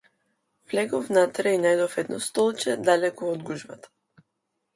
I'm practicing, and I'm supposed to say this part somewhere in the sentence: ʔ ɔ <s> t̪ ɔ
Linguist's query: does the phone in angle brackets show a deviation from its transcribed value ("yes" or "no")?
no